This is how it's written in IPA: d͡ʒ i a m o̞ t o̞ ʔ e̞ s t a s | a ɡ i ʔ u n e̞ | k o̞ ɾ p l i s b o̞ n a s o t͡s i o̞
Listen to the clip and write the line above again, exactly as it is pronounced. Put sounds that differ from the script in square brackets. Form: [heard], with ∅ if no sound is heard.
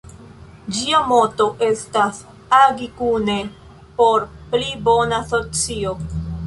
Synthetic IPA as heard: d͡ʒ i a m o̞ t o̞ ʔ e̞ s t a s | a ɡ i [k] u n e̞ | [p] o̞ ɾ p l i [∅] b o̞ n a s o t͡s i o̞